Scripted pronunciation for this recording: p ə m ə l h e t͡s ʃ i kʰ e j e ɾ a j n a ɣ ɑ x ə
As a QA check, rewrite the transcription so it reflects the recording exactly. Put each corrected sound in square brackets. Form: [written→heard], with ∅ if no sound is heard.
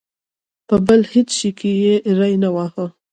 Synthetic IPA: p ə [m→b] ə l h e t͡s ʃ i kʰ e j e ɾ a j n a [ɣ→w] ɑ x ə